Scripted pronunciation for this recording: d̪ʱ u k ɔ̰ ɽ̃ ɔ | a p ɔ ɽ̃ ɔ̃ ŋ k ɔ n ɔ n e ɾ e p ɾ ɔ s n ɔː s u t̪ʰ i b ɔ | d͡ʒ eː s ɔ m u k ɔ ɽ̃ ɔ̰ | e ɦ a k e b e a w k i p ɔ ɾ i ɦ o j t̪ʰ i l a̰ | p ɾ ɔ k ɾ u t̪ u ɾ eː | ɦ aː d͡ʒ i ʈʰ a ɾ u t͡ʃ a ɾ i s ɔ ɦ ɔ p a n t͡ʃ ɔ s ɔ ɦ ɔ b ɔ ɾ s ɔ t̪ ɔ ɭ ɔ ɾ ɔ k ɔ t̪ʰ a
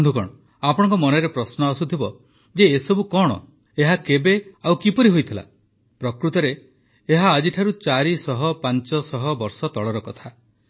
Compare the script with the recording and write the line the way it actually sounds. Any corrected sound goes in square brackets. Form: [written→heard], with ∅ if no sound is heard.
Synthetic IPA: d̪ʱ u k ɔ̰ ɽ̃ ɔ | a p ɔ ɽ̃ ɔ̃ ŋ k ɔ [n→m] ɔ n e ɾ e p ɾ ɔ s n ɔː s u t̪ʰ i b ɔ | d͡ʒ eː s ɔ [m→b] u k ɔ ɽ̃ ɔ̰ | e ɦ a k e b e a w k i p ɔ ɾ i ɦ o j t̪ʰ i l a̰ | p ɾ ɔ k ɾ u t̪ [u→ɔ] ɾ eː | ɦ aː d͡ʒ i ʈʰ a ɾ u t͡ʃ a ɾ i s ɔ ɦ ɔ p a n t͡ʃ ɔ s ɔ ɦ ɔ b ɔ ɾ s ɔ t̪ ɔ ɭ ɔ ɾ ɔ k ɔ t̪ʰ a